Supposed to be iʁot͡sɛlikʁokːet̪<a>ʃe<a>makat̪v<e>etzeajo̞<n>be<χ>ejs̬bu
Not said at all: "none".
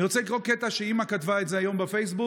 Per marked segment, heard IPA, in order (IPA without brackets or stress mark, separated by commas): a, i, a, m, f